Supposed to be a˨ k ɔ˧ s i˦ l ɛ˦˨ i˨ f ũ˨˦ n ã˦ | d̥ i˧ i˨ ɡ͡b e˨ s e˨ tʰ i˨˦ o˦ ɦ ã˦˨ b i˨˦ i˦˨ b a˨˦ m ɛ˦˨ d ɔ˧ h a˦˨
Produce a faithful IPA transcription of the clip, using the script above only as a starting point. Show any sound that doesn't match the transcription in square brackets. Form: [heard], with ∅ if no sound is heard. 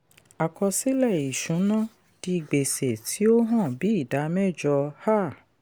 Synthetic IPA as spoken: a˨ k ɔ˧ s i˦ l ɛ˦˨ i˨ [ʃ] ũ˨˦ n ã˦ | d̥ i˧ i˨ ɡ͡b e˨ s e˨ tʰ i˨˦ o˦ ɦ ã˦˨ b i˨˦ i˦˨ [d] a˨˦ m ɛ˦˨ [d͡ʒ] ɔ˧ h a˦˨